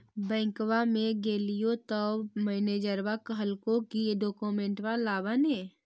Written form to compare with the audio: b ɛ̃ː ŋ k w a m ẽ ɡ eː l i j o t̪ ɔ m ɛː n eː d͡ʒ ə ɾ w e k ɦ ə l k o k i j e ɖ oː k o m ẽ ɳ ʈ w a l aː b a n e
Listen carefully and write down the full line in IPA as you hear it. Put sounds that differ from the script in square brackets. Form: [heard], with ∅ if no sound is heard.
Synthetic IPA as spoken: b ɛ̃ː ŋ k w a m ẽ ɡ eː l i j o t̪ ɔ m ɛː n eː d͡ʒ ə ɾ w [a] k ɦ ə l k o k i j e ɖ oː k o m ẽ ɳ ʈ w a l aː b a n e